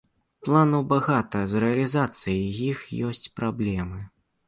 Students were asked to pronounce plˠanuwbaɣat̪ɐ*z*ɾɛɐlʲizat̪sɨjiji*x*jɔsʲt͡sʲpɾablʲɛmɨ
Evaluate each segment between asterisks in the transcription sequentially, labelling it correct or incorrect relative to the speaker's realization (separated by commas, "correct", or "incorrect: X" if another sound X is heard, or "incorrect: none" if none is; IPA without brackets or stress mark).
correct, correct